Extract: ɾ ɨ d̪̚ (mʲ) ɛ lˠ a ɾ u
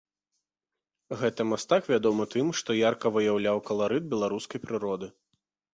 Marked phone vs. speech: incorrect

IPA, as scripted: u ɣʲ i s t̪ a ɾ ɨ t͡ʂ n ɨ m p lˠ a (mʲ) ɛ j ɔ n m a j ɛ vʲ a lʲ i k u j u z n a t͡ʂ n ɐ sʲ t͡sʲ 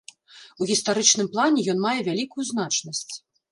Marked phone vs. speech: incorrect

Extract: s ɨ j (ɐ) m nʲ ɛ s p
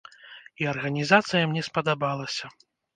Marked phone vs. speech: correct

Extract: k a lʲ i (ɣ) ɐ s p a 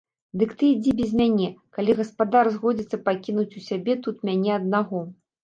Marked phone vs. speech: correct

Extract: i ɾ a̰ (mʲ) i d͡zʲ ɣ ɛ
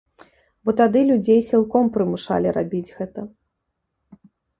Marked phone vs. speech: incorrect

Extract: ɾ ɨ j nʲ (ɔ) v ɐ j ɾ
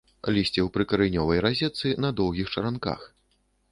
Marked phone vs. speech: correct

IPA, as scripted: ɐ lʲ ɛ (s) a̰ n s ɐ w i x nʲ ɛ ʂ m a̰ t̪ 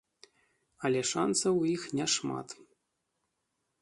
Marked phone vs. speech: incorrect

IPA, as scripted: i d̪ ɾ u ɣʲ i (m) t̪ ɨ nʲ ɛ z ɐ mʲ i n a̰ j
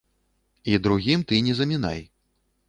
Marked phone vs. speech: correct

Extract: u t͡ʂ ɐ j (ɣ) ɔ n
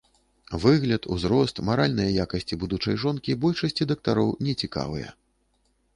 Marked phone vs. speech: incorrect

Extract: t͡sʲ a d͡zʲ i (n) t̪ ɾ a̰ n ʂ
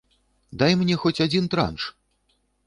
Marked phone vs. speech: correct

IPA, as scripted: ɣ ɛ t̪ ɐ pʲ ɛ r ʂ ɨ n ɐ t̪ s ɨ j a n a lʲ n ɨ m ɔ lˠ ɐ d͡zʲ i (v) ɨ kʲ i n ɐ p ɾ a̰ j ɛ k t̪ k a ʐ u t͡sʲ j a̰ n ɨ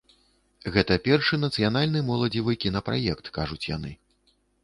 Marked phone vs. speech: correct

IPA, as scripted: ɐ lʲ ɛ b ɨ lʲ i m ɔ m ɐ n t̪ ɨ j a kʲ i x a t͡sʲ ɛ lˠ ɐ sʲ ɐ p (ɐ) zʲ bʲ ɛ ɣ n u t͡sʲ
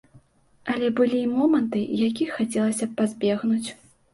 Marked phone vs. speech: incorrect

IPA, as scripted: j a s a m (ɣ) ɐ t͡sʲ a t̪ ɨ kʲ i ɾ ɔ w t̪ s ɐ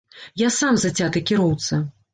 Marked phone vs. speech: incorrect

